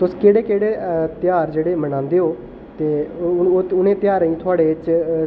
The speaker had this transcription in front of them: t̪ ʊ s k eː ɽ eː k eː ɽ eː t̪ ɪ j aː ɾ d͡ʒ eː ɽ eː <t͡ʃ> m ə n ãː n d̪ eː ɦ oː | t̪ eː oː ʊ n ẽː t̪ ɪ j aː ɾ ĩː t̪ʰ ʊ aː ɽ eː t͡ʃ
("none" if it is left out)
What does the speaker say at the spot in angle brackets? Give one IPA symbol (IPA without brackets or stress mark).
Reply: none